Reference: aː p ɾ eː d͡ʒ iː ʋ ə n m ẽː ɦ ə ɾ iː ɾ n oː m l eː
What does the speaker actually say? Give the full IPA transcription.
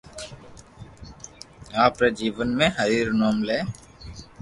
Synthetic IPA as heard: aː p ɾ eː d͡ʒ iː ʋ ə n m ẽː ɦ ə ɾ iː ɾ n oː m l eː